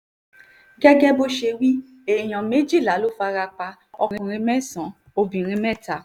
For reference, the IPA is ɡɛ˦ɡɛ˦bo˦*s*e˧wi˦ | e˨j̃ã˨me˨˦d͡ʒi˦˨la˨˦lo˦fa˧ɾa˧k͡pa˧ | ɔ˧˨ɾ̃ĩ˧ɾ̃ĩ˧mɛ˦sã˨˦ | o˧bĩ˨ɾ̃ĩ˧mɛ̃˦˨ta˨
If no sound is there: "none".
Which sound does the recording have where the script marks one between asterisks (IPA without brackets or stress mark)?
ʃ